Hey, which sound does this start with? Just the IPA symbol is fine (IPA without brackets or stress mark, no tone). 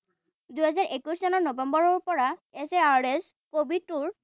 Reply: d̪